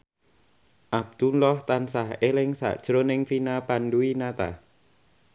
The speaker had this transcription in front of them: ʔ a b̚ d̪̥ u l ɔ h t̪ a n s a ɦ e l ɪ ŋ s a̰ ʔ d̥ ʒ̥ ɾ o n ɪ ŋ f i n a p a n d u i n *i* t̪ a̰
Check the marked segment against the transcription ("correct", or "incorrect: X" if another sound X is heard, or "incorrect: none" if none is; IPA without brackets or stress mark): incorrect: a